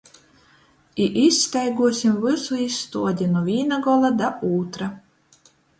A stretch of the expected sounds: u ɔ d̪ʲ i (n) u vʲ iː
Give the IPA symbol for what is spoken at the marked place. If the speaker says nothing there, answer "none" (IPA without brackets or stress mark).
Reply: n